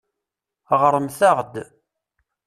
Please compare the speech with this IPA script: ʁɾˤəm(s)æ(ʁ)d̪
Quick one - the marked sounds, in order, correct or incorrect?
incorrect: θ, correct

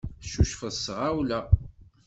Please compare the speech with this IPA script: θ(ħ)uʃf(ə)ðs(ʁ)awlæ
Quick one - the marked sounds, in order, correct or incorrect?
incorrect: ʃ, correct, correct

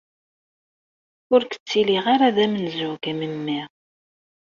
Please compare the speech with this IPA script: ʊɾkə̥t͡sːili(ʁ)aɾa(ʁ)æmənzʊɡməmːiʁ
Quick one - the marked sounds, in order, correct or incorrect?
correct, incorrect: ð

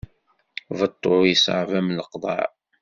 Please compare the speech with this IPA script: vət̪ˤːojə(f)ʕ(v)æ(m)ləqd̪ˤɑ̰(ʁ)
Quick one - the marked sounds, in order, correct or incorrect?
incorrect: s, correct, correct, incorrect: ʕ

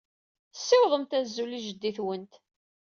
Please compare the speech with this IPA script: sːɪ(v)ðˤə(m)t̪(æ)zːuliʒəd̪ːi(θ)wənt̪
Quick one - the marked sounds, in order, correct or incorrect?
incorrect: w, correct, correct, correct

